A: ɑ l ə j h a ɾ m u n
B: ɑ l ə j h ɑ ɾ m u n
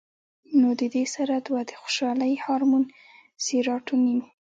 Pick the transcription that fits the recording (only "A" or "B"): B